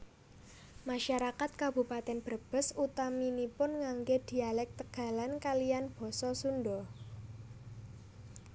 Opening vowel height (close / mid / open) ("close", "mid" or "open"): open